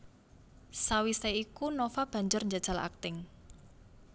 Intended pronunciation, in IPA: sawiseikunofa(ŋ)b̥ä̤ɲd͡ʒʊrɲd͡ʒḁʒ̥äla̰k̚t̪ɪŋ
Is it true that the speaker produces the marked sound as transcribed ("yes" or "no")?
no